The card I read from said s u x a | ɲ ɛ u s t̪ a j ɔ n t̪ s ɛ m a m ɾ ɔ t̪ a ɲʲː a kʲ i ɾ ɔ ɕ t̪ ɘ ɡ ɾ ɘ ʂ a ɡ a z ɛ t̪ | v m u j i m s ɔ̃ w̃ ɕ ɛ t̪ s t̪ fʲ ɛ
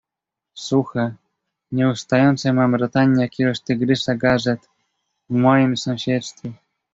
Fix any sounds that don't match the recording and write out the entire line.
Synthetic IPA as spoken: s u x a | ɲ ɛ u s t̪ a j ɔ n t̪ s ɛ m a m ɾ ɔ t̪ a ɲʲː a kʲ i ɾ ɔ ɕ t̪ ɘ ɡ ɾ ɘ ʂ a ɡ a ʐ ɛ t̪ | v m ɔ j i m s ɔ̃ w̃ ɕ ɛ t̪ s t̪ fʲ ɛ